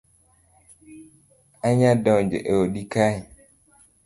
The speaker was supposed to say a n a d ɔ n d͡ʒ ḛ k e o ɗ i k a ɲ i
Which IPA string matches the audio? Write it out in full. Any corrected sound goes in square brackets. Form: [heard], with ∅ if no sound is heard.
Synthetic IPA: a [ɲ] a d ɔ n d͡ʒ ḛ [ʔ] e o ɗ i k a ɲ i